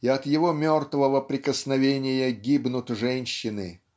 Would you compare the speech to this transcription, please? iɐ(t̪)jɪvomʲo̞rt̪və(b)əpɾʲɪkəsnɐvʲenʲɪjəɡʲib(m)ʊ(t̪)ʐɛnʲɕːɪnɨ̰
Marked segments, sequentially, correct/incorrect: correct, incorrect: v, incorrect: n, correct

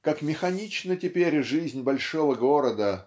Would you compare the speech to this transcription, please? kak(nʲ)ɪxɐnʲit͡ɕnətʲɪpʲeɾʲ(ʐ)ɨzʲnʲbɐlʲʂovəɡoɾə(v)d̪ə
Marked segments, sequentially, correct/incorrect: incorrect: mʲ, correct, incorrect: none

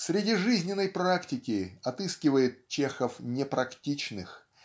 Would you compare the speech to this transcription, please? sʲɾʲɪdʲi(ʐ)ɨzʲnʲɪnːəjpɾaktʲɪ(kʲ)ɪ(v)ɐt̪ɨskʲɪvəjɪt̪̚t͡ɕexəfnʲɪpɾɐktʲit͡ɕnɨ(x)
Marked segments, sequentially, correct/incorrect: correct, correct, incorrect: none, correct

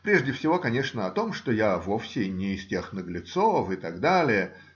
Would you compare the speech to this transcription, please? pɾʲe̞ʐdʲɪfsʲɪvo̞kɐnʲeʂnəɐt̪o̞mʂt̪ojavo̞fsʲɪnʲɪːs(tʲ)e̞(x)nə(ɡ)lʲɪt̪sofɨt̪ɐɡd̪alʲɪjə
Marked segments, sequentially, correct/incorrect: correct, correct, correct

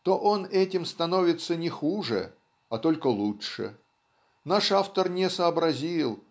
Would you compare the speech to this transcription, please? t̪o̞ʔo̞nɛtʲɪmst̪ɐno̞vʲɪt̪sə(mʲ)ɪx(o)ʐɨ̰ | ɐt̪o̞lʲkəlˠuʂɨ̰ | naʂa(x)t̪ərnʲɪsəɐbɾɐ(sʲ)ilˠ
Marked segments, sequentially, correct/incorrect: incorrect: nʲ, incorrect: u, incorrect: f, incorrect: zʲ

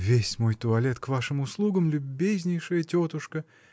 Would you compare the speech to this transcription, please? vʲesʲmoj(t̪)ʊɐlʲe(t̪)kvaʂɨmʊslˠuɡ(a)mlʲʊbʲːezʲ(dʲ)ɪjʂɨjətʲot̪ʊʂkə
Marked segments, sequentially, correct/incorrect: correct, correct, incorrect: ə, incorrect: nʲ

